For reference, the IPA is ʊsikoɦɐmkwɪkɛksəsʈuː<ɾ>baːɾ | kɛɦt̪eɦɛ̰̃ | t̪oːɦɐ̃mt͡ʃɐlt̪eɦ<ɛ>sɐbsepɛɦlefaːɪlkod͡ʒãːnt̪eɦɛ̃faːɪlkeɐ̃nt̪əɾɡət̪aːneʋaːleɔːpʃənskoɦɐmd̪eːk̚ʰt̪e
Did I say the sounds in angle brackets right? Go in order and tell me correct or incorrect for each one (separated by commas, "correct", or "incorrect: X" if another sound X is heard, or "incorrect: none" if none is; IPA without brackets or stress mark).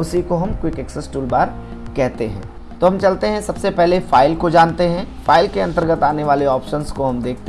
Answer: incorrect: l, incorrect: ɛ̃